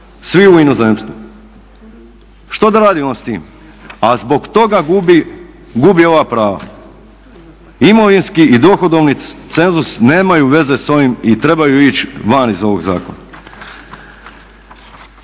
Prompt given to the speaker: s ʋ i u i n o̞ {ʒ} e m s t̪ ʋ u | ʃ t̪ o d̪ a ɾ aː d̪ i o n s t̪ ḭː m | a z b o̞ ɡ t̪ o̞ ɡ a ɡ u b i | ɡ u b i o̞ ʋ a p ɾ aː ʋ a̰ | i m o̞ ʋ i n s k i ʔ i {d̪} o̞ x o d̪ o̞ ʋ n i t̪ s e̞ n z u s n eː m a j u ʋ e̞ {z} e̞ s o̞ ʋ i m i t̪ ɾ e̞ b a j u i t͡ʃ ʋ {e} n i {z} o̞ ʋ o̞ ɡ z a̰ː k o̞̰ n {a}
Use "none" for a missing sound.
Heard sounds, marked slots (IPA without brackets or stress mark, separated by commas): z, d̪, z, a, z, a